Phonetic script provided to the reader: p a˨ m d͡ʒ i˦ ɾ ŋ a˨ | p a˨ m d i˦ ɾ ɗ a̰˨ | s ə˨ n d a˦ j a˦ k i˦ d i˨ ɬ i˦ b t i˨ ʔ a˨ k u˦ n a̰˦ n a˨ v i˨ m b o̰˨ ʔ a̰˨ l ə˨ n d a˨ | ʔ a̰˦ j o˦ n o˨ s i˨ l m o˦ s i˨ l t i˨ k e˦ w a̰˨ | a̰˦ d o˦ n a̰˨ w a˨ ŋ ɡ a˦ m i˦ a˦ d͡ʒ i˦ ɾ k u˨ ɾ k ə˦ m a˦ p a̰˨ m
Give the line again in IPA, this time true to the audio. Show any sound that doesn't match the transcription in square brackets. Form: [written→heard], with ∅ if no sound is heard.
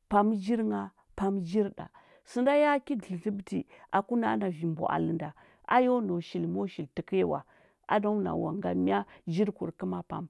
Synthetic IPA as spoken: p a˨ m d͡ʒ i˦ ɾ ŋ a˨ | p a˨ m [d→d͡ʒ] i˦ ɾ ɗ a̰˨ | s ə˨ n d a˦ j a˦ k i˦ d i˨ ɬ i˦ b t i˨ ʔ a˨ k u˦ n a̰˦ n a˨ v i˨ m b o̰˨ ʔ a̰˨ l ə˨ n d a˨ | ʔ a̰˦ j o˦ n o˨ [s→ʃ] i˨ l m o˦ [s→ʃ] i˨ l t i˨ k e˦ w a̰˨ | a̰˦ d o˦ n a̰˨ w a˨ ŋ ɡ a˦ m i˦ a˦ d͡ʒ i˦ ɾ k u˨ ɾ k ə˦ m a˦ p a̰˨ m